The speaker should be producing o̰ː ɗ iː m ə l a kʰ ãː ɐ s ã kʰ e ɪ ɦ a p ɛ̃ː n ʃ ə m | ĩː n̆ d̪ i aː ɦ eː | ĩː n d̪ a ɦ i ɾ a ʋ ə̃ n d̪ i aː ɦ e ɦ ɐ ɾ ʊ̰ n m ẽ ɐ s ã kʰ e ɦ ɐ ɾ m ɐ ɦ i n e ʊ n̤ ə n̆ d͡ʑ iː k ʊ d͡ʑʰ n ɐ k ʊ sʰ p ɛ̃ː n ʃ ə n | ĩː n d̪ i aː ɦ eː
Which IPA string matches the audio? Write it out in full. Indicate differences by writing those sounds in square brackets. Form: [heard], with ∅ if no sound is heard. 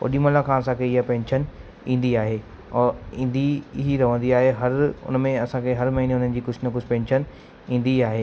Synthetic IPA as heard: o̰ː ɗ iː m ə l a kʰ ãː ɐ s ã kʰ e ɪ ɦ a p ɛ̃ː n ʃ ə [n] | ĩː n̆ d̪ i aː ɦ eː | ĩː n d̪ [i] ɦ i ɾ [ɐ] ʋ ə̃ n d̪ i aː ɦ e ɦ ɐ ɾ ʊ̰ n m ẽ ɐ s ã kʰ e ɦ ɐ ɾ m ɐ ɦ i n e ʊ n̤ ə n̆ d͡ʑ iː k ʊ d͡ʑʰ n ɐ k ʊ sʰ p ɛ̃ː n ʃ ə n | ĩː n d̪ i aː ɦ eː